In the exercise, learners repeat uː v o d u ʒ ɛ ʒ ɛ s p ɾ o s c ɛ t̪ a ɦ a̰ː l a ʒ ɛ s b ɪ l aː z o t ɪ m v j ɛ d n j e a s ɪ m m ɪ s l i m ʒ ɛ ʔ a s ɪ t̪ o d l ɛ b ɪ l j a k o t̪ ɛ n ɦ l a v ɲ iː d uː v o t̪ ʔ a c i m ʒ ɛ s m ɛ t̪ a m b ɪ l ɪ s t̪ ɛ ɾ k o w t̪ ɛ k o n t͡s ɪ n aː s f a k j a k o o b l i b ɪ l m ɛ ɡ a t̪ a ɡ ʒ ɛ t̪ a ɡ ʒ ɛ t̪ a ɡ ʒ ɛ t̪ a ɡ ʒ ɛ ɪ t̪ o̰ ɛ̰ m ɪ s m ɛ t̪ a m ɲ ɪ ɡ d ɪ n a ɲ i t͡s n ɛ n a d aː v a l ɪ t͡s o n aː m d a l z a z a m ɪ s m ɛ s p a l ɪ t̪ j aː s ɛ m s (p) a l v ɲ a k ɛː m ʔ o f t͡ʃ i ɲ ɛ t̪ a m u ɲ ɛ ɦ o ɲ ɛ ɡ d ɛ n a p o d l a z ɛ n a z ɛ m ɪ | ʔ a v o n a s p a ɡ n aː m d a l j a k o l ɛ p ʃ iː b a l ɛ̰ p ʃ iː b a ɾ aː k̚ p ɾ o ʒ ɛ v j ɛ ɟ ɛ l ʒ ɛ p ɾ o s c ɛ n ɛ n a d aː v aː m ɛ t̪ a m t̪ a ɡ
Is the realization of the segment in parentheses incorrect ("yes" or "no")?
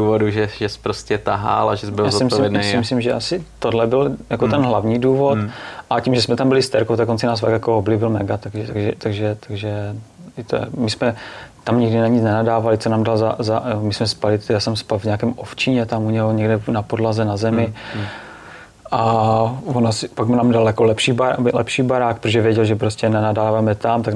no